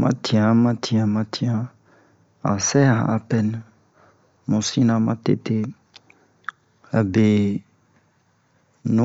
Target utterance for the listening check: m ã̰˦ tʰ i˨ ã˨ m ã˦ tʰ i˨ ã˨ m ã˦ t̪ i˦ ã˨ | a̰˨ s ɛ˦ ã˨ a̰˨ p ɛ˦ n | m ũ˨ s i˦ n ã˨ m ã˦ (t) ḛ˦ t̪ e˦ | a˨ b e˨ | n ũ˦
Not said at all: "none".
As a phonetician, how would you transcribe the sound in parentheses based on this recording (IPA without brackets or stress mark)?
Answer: t